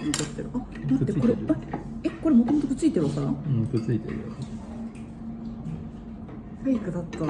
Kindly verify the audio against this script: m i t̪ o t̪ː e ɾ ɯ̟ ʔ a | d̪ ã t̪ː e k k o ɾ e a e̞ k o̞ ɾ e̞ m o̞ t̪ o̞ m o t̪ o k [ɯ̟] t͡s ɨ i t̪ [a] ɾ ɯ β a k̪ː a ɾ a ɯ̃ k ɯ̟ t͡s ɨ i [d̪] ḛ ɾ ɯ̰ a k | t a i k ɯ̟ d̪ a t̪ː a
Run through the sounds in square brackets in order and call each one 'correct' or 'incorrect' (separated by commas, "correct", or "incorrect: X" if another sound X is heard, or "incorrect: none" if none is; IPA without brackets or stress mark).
correct, incorrect: e, incorrect: t̪